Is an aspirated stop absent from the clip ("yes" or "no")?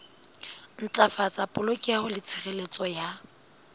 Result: no